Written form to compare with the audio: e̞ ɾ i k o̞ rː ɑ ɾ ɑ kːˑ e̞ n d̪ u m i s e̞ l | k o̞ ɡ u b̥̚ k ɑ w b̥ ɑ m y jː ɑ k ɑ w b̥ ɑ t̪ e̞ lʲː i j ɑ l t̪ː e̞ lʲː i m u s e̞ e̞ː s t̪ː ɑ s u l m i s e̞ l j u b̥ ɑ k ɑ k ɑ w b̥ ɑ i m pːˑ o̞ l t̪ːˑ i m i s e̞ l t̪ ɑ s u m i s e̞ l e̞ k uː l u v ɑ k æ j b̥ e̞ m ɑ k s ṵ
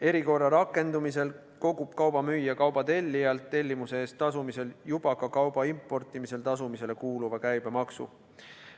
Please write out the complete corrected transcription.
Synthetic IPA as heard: e̞ ɾ i k o̞ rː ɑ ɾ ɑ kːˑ e̞ n d̪ u m i s e̞ l | k o̞ ɡ u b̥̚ k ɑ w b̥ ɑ m y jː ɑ k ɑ w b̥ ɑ t̪ e̞ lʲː i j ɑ l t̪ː e̞ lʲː i m u s e̞ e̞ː s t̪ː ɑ s u m i s e̞ l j u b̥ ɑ k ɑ k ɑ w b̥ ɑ i m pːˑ o̞ r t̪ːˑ i m i s e̞ l t̪ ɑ s u m i s e̞ l e̞ k uː l u v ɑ k æ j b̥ e̞ m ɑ k s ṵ